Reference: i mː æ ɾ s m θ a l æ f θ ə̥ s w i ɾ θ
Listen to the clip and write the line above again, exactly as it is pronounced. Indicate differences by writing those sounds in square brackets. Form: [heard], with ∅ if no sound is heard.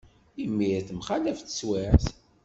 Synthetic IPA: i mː [i] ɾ [θ] m [χ] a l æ f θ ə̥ s w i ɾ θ